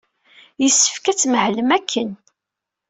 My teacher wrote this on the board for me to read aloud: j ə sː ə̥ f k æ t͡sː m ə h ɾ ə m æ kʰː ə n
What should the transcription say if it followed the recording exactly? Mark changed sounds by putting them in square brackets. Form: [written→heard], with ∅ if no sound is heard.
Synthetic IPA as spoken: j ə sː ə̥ f k æ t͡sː m ə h [ɾ→l] ə m æ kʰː ə n

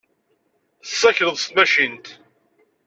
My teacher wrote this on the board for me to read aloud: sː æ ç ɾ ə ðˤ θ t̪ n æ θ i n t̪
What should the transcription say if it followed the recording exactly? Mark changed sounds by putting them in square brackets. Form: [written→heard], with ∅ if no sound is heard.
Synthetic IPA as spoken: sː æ ç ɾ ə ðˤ [θ→s] t̪ [n→m] æ [θ→ʃ] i n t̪

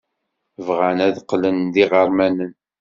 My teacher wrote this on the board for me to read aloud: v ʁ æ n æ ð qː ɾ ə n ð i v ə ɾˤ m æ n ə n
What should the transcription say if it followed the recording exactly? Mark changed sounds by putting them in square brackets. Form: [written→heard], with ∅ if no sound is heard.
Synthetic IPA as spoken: v ʁ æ n æ ð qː [ɾ→l] ə n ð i [v→ʁ] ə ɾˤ m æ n ə n

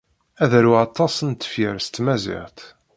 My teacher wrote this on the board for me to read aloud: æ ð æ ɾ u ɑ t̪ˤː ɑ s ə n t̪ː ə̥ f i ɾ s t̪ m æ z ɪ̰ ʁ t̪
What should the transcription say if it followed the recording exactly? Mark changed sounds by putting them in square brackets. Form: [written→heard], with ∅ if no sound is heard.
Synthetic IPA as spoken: æ ð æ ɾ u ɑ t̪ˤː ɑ s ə n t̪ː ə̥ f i ɾ s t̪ m æ z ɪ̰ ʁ t̪

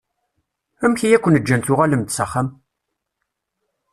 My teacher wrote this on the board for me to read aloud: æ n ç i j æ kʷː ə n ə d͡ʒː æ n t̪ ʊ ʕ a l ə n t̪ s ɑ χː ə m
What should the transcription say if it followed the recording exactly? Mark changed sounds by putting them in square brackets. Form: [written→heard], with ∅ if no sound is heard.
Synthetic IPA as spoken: æ [n→m] ç i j æ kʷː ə n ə d͡ʒː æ n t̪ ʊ [ʕ→ʁ] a l ə [n→m] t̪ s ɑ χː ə m

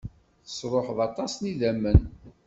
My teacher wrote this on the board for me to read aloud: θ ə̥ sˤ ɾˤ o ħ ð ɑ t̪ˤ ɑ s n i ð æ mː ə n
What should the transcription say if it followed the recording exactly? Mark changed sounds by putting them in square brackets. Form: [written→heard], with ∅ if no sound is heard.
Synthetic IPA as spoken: θ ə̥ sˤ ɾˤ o ħ ð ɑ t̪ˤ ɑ s n i ð æ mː ə n

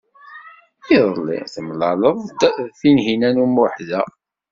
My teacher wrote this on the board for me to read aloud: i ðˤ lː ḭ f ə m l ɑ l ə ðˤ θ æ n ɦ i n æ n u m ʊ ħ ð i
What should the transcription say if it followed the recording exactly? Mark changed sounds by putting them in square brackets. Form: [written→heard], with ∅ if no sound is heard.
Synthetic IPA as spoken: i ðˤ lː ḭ [f→θ] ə m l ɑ l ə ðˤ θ [æ→i] n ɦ i n æ n u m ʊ ħ ð [i→æ]

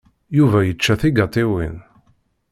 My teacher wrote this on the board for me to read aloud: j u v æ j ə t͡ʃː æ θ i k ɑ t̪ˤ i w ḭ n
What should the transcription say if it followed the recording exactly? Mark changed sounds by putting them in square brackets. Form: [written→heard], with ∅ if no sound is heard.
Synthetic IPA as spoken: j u v æ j ə t͡ʃː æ θ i [k→ɡ] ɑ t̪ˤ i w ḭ n

